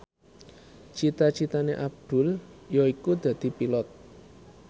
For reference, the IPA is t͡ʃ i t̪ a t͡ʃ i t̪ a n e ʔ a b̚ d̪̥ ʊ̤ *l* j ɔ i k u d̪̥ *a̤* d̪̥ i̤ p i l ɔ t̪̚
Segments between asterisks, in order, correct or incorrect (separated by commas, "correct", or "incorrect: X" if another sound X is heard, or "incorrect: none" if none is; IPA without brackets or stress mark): correct, correct